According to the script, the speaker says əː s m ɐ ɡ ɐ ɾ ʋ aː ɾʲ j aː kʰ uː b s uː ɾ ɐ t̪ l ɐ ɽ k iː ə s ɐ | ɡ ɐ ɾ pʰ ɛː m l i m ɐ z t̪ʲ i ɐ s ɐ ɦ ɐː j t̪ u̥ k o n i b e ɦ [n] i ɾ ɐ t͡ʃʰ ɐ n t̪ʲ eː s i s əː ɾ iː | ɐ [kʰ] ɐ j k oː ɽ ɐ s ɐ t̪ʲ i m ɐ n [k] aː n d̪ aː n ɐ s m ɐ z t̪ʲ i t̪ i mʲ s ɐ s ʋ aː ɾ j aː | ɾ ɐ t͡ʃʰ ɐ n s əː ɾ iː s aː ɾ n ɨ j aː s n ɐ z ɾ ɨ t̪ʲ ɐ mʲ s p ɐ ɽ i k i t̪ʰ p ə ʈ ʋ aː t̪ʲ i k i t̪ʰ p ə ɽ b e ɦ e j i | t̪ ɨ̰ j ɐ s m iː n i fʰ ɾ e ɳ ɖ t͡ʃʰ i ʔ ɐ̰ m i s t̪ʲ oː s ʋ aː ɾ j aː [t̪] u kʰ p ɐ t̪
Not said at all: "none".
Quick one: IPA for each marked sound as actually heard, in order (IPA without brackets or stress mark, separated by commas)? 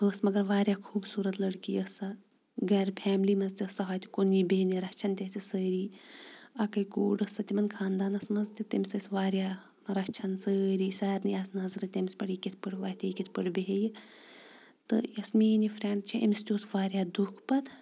n, k, kʰ, d̪